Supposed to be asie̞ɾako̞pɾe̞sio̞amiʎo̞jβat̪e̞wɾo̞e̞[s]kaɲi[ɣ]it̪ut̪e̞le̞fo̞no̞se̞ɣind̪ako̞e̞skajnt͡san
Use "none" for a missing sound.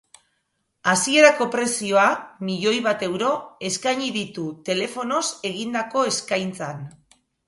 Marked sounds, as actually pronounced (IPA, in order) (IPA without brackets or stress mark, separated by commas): s, ð